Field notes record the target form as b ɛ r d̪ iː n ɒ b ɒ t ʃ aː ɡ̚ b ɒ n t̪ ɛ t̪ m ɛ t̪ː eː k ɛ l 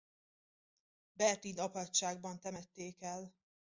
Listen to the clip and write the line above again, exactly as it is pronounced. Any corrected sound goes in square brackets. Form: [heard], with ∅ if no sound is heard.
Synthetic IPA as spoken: b ɛ r [t̪] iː n ɒ [p] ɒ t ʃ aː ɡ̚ b ɒ n t̪ ɛ [∅] m ɛ t̪ː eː k ɛ l

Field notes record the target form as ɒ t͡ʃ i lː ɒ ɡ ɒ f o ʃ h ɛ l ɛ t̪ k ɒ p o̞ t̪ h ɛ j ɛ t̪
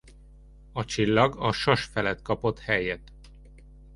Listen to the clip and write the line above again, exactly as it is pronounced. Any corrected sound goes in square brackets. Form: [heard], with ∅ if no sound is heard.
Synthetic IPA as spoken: ɒ t͡ʃ i lː ɒ ɡ ɒ [ʃ] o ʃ [f] ɛ l ɛ t̪ k ɒ p o̞ t̪ h ɛ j ɛ t̪

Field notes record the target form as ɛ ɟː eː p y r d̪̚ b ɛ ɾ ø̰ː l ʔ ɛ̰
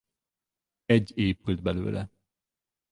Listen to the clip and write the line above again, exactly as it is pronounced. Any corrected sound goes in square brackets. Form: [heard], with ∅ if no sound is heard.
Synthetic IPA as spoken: ɛ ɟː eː p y [l] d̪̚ b ɛ [l] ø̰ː l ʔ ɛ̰

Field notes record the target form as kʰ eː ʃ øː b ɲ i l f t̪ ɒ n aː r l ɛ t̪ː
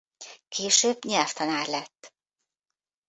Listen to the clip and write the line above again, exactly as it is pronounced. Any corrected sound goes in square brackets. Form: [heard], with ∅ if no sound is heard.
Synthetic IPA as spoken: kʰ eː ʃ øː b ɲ [ɛ] l f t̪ ɒ n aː r l ɛ t̪ː

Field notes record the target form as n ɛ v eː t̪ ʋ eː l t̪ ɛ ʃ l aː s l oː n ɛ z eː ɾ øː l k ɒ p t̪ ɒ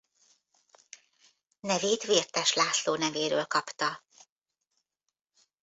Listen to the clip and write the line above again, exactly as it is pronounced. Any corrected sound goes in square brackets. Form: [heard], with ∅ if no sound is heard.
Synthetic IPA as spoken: n ɛ v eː t̪ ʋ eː [r] t̪ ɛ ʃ l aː s l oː n ɛ [v] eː ɾ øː l k ɒ p t̪ ɒ

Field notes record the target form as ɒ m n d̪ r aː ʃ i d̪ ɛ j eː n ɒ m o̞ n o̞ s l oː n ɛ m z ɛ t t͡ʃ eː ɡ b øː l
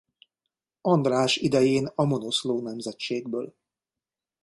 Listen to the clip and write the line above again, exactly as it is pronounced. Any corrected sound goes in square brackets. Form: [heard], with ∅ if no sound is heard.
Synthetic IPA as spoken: ɒ [∅] n d̪ r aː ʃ i d̪ ɛ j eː n ɒ m o̞ n o̞ s l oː n ɛ m z ɛ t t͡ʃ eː ɡ b øː l

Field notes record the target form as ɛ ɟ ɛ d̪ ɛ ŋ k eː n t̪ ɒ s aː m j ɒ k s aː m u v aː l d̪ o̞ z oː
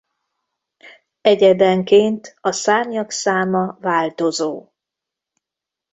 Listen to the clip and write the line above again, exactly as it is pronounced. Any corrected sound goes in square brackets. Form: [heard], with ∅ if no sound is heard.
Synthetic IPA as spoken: ɛ ɟ ɛ d̪ ɛ ŋ k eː n t̪ ɒ s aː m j ɒ k s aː m [ɒ] v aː l [t̪] o̞ z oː

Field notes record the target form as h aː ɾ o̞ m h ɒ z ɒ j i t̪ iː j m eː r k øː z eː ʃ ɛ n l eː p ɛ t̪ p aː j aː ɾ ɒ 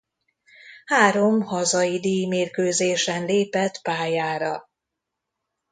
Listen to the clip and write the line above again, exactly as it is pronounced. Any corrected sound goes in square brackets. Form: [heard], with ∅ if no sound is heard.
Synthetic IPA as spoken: h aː ɾ o̞ m h ɒ z ɒ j i [d̪] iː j m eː r k øː z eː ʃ ɛ n l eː p ɛ t̪ p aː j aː ɾ ɒ

